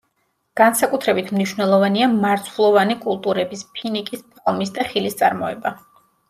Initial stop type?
plain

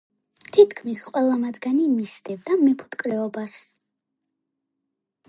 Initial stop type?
aspirated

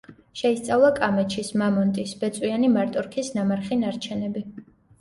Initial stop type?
plain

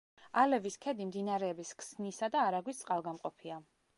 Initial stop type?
aspirated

